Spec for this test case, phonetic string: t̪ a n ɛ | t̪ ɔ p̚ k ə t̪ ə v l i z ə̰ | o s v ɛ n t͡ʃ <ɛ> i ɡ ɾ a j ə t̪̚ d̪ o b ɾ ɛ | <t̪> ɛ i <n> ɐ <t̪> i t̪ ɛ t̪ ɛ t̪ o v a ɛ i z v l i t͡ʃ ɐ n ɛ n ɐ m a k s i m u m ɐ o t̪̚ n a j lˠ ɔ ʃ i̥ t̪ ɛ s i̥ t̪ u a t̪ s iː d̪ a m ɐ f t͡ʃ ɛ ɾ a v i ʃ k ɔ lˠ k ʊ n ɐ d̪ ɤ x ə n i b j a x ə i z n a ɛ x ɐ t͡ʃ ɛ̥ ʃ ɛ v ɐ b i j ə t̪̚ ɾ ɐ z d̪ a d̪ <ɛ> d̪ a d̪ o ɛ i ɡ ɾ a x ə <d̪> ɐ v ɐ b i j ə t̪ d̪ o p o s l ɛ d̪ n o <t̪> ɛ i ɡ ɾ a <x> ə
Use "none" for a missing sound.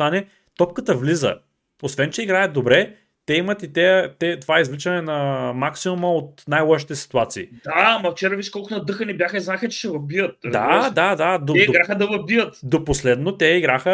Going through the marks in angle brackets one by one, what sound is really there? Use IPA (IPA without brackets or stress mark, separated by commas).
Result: ɛ, t̪, m, t̪, a, d̪, t̪, x